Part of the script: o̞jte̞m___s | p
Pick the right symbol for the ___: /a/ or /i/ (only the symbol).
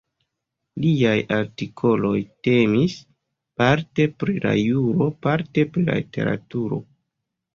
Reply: i